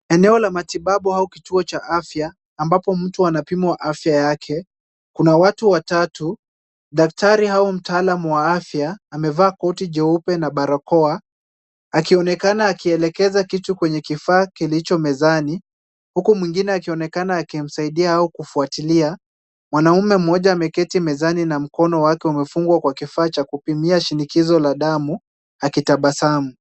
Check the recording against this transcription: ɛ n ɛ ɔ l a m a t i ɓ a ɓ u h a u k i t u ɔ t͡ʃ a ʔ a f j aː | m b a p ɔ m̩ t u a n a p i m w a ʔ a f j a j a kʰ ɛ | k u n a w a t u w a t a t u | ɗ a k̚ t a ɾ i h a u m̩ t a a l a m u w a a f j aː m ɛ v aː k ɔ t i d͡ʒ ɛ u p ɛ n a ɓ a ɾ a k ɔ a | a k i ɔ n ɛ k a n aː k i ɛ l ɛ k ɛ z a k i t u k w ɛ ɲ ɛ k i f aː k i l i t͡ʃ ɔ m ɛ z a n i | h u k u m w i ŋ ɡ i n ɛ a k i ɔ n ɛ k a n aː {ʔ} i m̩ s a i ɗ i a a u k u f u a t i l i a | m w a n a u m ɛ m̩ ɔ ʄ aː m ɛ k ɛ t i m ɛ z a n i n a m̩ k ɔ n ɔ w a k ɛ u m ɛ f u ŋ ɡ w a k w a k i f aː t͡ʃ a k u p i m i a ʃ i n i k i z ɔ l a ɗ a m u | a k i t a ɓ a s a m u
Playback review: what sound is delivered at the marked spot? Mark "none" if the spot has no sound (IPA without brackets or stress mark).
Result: k